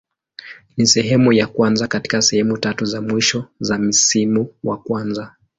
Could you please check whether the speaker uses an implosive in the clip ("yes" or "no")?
no